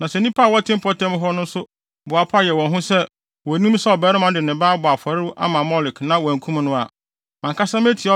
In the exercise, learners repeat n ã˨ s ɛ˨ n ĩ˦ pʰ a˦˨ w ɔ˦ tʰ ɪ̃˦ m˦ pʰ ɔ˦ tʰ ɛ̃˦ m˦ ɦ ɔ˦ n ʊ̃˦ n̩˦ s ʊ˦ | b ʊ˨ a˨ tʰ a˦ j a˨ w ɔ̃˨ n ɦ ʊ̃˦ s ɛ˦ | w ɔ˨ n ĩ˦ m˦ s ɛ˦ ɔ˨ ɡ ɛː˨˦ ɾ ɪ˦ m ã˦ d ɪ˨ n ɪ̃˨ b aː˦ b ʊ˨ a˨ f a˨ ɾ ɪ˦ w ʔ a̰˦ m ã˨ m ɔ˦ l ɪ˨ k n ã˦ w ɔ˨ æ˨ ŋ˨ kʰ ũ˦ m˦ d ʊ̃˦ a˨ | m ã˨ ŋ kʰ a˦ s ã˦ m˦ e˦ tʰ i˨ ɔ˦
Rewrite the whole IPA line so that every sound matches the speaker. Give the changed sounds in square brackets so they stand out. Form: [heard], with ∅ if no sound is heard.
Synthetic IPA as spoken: n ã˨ s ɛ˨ n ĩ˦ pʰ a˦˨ w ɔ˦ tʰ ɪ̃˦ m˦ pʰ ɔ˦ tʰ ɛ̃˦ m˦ ɦ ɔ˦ n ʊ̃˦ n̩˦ s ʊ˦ | b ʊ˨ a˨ [pʰ] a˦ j [ɛ˨] w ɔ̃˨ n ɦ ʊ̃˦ s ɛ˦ | w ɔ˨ n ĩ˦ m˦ s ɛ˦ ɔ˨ [b] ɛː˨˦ ɾ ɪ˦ m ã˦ d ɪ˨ n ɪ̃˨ b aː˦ b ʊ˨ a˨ f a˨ ɾ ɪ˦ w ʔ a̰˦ m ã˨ m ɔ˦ l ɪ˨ k n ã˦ w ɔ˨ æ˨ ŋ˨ kʰ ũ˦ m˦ [n] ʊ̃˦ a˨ | m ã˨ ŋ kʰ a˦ s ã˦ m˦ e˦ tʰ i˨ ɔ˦